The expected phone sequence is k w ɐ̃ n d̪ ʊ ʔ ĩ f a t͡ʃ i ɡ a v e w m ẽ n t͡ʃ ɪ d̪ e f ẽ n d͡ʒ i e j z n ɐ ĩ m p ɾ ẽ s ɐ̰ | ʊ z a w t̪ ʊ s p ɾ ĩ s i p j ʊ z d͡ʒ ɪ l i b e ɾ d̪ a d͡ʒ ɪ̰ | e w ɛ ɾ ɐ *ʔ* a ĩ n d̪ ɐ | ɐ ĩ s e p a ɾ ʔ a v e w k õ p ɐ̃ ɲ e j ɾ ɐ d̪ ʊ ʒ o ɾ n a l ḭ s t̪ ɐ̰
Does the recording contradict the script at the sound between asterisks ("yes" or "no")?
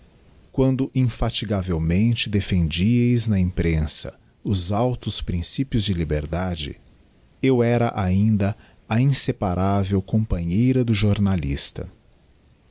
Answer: no